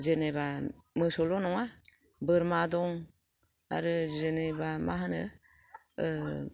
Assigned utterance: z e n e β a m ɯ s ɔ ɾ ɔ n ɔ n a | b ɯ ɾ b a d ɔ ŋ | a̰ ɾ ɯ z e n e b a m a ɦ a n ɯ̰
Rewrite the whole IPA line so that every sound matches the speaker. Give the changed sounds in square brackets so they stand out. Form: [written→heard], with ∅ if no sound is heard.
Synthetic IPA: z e n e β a m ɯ s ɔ [ɾ→l] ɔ n ɔ [n→ŋ] a | b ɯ ɾ [b→m] a d ɔ ŋ | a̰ ɾ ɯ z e n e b a m a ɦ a n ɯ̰